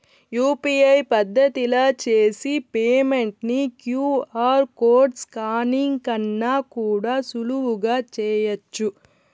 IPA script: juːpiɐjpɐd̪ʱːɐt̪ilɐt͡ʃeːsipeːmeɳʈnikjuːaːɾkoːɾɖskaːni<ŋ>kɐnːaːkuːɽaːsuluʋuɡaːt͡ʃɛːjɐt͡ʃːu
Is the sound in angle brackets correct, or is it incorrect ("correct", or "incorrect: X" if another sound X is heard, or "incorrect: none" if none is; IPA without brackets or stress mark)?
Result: correct